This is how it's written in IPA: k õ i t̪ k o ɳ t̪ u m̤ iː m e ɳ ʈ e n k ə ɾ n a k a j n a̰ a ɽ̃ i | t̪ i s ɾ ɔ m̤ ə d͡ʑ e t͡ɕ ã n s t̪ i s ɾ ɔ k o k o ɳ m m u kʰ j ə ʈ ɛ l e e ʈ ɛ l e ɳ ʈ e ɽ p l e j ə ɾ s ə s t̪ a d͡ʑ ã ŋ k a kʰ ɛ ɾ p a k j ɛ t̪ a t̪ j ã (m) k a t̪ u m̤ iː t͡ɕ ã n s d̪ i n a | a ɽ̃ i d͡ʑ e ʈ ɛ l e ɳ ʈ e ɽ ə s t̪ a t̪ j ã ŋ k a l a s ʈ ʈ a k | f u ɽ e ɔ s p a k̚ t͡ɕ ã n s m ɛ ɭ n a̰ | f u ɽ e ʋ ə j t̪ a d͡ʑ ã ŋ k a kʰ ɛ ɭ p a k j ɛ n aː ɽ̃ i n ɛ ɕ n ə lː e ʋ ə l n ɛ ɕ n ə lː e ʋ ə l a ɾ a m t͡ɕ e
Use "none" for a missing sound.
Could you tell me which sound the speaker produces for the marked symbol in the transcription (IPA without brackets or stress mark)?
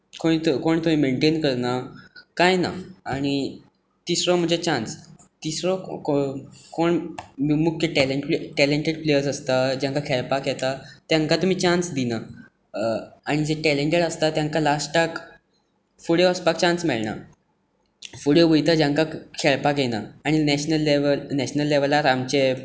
ŋ